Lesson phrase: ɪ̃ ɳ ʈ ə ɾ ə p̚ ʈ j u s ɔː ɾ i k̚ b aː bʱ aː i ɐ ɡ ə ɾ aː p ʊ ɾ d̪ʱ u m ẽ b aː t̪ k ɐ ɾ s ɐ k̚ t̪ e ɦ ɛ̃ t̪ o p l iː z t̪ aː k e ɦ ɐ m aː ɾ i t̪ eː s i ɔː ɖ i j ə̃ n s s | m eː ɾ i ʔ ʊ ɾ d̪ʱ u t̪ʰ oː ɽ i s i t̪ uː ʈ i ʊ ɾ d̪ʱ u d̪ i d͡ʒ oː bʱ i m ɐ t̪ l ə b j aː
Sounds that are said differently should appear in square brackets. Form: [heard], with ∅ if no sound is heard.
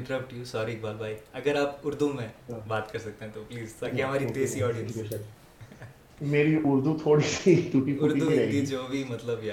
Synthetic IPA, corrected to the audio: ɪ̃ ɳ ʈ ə ɾ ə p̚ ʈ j u s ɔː ɾ i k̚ b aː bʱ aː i ɐ ɡ ə ɾ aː p ʊ ɾ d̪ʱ u m ẽ b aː t̪ k ɐ ɾ s ɐ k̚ t̪ e ɦ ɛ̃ t̪ o p l iː z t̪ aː k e ɦ ɐ m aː ɾ i t̪ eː s i ɔː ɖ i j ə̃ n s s | m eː ɾ i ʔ ʊ ɾ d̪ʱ u t̪ʰ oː ɽ i s i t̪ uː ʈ i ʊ ɾ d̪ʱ u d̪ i d͡ʒ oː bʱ i m ɐ t̪ l ə b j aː